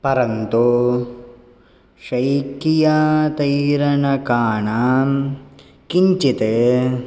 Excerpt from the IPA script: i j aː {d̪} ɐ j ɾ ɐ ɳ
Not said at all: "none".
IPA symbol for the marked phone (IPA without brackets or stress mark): t̪